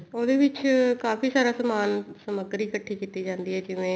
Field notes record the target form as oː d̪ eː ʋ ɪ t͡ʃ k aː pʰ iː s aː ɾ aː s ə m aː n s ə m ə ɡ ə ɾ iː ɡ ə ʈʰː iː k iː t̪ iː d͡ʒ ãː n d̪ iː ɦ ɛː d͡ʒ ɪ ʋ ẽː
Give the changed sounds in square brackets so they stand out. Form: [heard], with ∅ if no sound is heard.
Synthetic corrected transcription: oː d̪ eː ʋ ɪ t͡ʃ k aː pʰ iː s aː ɾ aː s ə m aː n s ə m ə ɡ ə ɾ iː [k] ə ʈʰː iː k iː t̪ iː d͡ʒ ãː n d̪ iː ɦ ɛː d͡ʒ ɪ ʋ ẽː